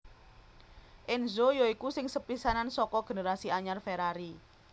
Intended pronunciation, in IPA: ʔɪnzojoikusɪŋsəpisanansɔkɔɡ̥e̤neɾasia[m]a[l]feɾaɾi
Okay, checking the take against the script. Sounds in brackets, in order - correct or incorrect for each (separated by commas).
incorrect, incorrect